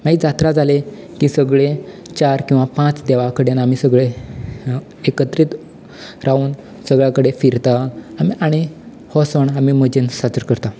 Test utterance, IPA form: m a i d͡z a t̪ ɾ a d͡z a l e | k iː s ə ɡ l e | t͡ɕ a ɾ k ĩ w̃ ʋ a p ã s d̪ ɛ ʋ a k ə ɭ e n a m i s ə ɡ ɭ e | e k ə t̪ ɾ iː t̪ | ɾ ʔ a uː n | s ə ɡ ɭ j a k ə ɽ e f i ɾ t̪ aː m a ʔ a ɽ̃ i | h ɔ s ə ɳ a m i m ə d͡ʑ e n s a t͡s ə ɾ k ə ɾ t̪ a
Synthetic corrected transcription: m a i d͡z a t̪ ɾ a d͡z a l e | k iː s ə ɡ ɭ e | t͡ɕ a ɾ k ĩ w̃ ʋ a p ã t͡s d̪ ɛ ʋ a k ə ɽ e n a m i s ə ɡ ɭ e | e k ə t̪ ɾ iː t̪ | ɾ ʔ a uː n | s ə ɡ ɭ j a k ə ɽ e f i ɾ t̪ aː m i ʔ a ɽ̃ i | h ɔ s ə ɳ a m i m ə d͡ʑ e n s a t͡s ə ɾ k ə ɾ t̪ a